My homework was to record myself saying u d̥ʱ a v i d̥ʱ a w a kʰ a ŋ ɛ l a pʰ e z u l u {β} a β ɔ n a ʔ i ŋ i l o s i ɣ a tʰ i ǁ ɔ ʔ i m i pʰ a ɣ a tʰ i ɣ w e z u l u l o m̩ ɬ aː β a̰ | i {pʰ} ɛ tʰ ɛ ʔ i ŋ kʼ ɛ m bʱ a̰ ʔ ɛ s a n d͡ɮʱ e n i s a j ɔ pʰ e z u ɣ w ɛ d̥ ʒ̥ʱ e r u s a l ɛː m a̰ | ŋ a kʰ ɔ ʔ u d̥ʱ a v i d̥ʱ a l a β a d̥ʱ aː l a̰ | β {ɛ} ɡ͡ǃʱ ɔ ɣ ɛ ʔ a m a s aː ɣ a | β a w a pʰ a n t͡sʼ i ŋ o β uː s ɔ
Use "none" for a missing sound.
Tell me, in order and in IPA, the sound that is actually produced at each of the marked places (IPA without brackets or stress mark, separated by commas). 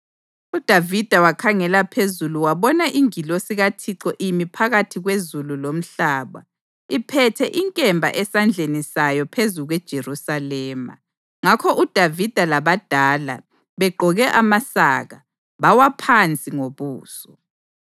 w, pʰ, ɛ